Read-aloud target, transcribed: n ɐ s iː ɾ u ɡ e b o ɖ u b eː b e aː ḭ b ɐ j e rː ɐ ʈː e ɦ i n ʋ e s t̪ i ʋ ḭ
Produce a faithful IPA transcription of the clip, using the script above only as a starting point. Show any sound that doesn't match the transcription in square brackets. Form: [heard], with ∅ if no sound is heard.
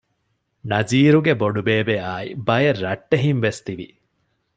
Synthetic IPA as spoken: n ɐ [z] iː ɾ u ɡ e b o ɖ u b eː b e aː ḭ b ɐ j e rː ɐ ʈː e ɦ i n ʋ e s t̪ i ʋ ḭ